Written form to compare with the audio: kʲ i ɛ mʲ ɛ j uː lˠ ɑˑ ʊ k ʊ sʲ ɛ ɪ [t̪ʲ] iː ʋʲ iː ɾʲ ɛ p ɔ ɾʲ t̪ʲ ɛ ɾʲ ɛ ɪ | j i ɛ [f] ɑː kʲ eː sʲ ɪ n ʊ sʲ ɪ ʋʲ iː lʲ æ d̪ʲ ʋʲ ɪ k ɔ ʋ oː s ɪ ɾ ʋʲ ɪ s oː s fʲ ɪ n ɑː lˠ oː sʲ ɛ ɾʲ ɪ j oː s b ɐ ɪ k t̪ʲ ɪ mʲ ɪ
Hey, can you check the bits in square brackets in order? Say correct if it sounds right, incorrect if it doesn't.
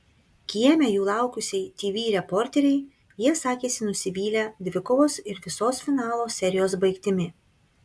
correct, incorrect

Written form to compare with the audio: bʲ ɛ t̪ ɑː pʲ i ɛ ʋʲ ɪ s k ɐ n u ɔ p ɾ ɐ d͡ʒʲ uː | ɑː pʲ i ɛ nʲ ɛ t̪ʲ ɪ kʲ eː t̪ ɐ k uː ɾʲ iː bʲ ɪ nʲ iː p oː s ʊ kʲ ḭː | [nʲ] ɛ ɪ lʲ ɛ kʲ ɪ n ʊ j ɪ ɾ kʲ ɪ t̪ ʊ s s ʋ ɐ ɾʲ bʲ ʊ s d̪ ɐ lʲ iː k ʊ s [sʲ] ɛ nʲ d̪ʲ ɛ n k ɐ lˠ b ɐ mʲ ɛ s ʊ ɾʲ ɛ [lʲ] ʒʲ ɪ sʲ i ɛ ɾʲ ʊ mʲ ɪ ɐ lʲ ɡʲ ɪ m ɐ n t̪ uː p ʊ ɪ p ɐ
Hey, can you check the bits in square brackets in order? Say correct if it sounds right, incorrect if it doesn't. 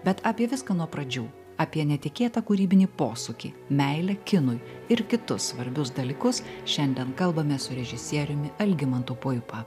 incorrect, incorrect, incorrect

